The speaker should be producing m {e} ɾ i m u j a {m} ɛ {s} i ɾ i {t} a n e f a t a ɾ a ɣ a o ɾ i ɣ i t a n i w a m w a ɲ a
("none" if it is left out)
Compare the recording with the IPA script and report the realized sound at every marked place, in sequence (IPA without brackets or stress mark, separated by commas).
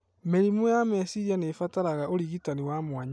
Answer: e, m, s, none